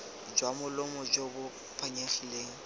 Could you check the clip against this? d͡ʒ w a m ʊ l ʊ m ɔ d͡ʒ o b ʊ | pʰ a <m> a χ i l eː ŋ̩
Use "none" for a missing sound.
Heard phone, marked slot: ɲ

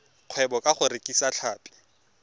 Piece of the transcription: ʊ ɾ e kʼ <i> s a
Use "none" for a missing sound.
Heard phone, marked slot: i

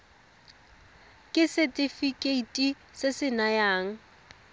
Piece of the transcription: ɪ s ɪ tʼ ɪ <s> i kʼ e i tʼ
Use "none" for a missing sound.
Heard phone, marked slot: f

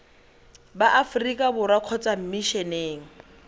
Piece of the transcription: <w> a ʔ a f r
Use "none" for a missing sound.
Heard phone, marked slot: b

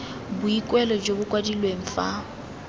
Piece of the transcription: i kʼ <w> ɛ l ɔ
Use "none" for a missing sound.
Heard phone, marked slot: w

